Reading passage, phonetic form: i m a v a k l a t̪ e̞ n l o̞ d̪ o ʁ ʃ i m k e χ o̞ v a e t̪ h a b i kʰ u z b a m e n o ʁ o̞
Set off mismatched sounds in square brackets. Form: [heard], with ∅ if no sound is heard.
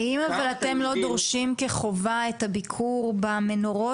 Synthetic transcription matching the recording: i m a v a [∅] l a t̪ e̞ [m] l o̞ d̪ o ʁ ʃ i m k e χ o̞ v a e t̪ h a b i kʰ u [ʁ] b a m e n o ʁ o̞